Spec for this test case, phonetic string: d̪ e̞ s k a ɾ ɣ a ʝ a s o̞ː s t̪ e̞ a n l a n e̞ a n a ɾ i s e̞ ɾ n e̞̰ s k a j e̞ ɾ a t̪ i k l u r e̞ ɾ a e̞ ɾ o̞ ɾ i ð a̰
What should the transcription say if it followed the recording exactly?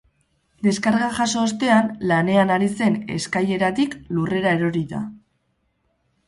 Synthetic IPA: d̪ e̞ s k a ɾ ɣ a ʝ a s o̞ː s t̪ e̞ a n l a n e̞ a n a ɾ i s e̞ n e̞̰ s k a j e̞ ɾ a t̪ i k l u r e̞ ɾ a e̞ ɾ o̞ ɾ i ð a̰